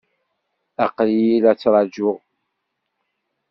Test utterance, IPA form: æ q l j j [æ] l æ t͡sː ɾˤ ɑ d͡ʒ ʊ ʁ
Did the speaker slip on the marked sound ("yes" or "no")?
yes